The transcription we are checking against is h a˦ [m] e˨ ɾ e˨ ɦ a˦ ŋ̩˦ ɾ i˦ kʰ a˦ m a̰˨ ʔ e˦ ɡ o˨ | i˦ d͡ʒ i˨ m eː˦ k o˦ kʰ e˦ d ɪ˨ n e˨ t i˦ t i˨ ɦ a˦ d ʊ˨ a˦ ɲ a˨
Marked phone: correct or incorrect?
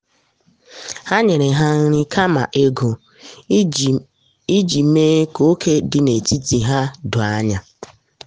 incorrect